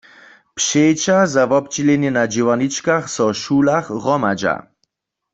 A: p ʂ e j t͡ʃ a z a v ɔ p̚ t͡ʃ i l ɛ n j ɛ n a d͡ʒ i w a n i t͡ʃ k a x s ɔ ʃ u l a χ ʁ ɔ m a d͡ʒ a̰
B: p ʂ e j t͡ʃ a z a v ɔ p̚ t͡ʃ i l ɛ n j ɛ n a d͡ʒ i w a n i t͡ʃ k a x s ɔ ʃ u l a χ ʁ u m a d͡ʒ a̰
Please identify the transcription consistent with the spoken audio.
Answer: A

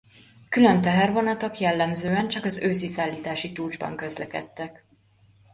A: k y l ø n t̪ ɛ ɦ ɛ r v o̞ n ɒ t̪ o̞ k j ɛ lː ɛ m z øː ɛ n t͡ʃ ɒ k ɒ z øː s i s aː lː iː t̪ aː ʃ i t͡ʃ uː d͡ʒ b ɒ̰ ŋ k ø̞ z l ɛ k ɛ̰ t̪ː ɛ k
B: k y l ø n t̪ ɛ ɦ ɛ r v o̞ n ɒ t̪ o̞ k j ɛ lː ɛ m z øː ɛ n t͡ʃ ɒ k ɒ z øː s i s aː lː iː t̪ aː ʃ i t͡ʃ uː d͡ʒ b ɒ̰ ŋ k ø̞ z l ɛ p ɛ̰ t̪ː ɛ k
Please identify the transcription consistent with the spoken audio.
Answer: A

